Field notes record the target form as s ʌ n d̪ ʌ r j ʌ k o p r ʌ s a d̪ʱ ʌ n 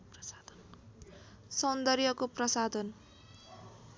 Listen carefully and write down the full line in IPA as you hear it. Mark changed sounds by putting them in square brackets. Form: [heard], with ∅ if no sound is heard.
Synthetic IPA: s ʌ n d̪ ʌ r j ʌ k o p r ʌ s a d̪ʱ ʌ n